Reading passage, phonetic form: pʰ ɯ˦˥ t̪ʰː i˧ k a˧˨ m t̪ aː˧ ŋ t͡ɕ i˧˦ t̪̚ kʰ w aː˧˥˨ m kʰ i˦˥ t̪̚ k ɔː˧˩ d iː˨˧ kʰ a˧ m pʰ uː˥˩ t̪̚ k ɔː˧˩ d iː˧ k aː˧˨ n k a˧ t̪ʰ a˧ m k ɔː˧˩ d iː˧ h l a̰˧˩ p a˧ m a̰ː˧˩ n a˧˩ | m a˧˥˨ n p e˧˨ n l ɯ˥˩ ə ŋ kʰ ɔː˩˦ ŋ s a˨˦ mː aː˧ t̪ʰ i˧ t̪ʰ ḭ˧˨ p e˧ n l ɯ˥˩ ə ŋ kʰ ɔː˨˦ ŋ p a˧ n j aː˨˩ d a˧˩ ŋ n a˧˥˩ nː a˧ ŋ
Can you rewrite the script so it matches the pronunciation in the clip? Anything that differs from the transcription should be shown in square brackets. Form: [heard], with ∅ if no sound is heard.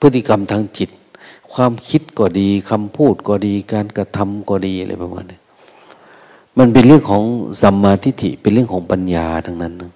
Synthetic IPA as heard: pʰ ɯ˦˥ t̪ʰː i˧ k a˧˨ m [t̪ʰ] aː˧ ŋ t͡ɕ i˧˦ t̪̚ kʰ w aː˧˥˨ m kʰ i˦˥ t̪̚ k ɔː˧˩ d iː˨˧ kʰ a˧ m pʰ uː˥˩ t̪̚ k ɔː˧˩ d iː˧ k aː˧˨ n k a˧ t̪ʰ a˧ m k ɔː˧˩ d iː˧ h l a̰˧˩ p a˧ m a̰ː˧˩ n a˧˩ | m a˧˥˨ n p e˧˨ n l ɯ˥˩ ə ŋ kʰ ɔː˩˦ ŋ s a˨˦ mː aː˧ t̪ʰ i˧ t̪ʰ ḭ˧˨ p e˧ n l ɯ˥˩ ə ŋ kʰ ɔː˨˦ ŋ p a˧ n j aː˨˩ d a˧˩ ŋ n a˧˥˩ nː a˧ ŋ